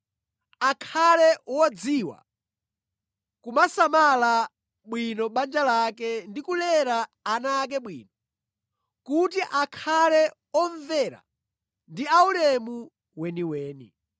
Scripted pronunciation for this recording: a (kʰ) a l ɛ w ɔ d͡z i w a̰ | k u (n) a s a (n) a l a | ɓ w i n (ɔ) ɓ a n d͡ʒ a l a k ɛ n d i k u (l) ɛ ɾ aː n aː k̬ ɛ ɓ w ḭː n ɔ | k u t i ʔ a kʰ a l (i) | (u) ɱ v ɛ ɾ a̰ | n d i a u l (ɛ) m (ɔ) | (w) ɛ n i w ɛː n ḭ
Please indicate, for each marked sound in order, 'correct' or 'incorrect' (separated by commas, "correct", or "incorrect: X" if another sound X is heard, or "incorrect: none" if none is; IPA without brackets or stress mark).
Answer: correct, incorrect: m, incorrect: m, correct, correct, incorrect: ɛ, incorrect: ɔ, correct, incorrect: u, correct